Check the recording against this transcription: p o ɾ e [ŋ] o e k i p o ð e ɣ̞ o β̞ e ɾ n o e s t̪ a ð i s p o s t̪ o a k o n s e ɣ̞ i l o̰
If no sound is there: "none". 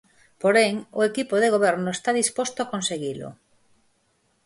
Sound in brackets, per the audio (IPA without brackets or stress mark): ŋ